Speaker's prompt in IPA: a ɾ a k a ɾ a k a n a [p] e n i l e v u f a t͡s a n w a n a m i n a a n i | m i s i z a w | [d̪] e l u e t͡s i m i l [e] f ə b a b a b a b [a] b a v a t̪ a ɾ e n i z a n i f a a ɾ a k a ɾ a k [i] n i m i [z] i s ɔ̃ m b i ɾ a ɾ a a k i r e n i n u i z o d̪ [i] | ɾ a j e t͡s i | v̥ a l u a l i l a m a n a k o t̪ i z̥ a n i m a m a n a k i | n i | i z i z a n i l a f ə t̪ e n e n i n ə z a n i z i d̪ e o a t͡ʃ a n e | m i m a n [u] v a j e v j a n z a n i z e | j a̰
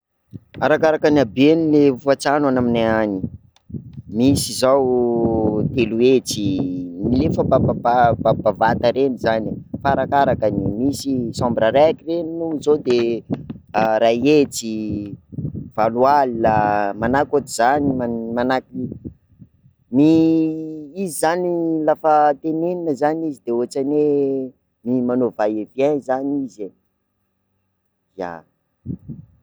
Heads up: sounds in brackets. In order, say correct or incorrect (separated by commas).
incorrect, incorrect, correct, correct, incorrect, incorrect, incorrect, incorrect